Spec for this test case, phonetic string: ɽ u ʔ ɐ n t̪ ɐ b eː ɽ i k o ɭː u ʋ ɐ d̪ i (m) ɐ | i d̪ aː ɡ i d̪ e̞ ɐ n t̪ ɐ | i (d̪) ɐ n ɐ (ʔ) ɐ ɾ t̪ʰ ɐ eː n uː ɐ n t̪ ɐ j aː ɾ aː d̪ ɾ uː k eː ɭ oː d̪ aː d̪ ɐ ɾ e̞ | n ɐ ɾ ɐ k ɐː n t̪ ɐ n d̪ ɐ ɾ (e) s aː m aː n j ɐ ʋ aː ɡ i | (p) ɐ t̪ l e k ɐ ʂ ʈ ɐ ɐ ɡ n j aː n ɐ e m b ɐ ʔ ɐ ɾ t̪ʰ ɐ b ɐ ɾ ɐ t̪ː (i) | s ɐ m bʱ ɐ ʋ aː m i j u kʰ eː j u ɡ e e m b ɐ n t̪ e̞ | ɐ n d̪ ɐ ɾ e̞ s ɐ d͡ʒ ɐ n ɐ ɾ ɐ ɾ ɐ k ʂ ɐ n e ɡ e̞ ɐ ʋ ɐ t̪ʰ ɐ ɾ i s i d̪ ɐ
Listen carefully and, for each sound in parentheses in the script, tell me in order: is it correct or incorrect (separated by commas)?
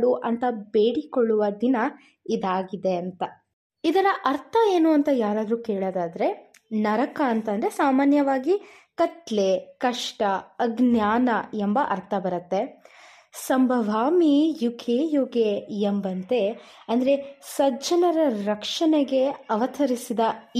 incorrect, correct, correct, correct, incorrect, incorrect